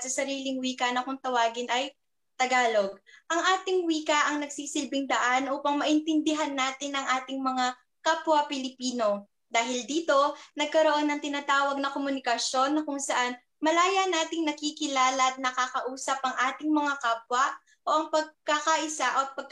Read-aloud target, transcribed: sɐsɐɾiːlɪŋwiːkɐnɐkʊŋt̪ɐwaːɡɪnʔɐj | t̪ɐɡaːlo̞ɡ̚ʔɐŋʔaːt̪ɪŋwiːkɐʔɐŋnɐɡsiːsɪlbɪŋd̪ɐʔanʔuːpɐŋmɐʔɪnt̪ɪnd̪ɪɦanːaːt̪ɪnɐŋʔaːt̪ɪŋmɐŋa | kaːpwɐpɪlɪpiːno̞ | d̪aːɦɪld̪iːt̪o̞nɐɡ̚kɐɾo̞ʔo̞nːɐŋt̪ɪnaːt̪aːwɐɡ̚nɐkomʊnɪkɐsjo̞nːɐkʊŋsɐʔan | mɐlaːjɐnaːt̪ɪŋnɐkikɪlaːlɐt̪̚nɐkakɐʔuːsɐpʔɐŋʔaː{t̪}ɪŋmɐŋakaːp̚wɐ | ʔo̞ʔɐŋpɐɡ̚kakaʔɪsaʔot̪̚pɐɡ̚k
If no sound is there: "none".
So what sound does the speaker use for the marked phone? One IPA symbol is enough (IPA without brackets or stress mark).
t̪